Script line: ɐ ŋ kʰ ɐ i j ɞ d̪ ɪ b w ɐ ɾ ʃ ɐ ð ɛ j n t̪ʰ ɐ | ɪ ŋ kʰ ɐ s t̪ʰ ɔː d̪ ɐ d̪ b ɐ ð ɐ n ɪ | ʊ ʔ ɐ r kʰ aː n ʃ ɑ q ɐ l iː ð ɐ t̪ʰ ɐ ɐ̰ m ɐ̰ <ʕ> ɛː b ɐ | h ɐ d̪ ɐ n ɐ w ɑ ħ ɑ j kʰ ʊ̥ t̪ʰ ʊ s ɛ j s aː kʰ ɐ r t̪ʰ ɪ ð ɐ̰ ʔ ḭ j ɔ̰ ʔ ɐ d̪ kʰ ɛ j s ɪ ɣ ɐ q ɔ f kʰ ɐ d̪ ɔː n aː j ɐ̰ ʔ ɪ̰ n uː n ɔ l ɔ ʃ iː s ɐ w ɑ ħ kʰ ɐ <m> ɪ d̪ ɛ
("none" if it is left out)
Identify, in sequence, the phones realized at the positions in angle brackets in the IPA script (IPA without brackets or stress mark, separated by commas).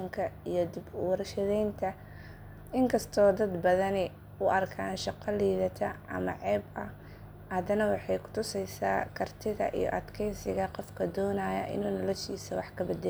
ʕ, b